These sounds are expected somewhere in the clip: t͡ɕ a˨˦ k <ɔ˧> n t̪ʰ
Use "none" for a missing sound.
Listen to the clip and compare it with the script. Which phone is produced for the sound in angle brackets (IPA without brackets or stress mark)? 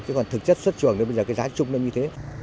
ɔ˨˩